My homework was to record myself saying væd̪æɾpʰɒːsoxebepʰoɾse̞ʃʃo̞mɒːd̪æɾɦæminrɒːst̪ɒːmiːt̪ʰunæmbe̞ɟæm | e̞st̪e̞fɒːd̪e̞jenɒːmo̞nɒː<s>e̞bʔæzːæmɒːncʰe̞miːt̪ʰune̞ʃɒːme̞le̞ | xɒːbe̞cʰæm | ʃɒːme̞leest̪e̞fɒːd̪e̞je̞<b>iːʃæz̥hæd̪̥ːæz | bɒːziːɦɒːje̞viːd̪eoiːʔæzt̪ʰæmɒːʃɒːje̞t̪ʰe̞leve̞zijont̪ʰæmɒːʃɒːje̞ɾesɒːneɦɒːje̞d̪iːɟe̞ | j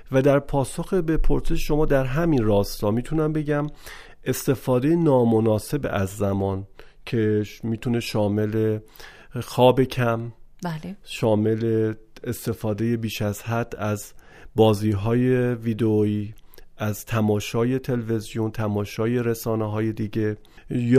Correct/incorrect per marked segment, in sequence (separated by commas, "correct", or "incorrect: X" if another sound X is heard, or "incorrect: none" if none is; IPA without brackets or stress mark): correct, correct